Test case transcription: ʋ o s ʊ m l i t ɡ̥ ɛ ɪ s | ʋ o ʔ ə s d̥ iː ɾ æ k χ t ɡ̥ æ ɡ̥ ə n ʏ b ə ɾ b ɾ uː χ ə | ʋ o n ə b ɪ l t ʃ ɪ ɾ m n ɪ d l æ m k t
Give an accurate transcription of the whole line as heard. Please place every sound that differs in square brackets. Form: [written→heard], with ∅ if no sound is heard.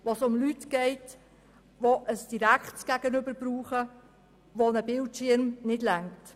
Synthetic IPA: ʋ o s ʊ m l [i→y] t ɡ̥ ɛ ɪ [s→t] | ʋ o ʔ ə s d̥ [iː→i] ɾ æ k χ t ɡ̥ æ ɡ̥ ə n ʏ b ə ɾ b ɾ uː χ ə | ʋ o n ə b ɪ l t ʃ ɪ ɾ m n ɪ d l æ [m→ŋ] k t